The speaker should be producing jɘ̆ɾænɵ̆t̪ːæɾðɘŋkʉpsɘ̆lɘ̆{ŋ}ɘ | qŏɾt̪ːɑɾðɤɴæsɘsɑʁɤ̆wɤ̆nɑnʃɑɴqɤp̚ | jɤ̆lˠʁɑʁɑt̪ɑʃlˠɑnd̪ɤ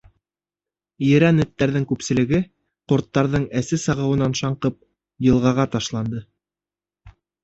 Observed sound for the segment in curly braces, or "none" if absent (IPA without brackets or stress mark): ɡ